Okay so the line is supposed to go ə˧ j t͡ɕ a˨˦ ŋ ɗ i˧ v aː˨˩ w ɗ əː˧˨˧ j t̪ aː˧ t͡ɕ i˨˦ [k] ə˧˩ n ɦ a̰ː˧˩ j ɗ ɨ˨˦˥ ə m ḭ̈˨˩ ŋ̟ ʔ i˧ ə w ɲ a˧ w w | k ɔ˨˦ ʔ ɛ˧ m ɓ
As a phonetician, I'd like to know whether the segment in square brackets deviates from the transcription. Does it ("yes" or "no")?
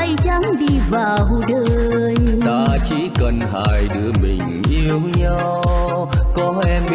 no